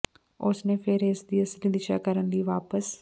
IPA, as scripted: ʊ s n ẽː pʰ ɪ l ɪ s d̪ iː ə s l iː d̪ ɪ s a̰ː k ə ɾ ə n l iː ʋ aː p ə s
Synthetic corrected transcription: ʊ s n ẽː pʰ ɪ ɾ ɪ s d̪ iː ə s l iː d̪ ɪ ʃ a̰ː k ə ɾ ə n l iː ʋ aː p ə s